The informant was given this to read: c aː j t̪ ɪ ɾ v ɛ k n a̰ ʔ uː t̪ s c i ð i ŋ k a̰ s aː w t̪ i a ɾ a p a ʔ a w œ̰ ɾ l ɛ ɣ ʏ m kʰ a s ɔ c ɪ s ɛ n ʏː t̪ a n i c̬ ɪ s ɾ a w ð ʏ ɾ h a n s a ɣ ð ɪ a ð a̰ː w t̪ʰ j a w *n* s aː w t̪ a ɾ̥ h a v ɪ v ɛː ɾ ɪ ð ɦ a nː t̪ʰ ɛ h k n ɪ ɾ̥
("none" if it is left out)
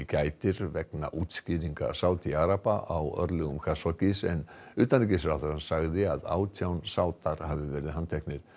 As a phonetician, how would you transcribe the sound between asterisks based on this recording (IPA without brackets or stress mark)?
n